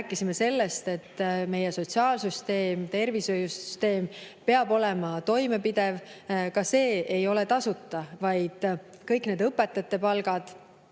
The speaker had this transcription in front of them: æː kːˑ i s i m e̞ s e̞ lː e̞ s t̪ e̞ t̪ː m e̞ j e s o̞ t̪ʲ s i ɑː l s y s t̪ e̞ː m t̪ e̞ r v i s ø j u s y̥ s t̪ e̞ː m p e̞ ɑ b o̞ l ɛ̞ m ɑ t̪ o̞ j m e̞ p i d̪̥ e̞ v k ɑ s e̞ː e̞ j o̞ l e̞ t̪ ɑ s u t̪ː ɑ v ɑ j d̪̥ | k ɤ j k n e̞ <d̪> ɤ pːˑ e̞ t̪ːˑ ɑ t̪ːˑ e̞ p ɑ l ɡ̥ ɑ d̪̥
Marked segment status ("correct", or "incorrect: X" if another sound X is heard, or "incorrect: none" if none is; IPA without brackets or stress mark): correct